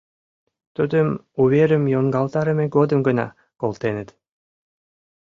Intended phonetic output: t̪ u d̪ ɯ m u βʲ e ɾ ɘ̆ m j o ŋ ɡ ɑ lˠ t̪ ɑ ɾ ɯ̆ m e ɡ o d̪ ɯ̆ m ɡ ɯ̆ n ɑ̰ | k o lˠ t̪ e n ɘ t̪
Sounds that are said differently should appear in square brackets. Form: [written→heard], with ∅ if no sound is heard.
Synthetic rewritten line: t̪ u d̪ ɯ m u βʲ e ɾ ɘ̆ m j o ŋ ɡ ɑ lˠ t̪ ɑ ɾ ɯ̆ m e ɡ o d̪ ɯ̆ m ɡ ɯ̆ n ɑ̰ | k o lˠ t̪ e n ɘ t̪